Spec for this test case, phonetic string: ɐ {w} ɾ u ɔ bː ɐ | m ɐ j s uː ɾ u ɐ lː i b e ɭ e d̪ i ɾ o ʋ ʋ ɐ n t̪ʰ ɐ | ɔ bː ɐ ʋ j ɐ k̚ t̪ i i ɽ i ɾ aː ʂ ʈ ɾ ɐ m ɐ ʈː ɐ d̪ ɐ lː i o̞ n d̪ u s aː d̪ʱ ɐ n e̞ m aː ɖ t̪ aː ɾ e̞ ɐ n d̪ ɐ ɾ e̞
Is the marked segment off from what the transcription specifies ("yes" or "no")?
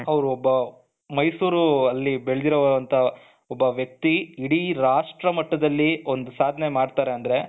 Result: yes